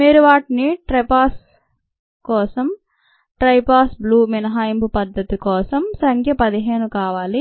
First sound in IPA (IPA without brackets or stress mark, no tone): m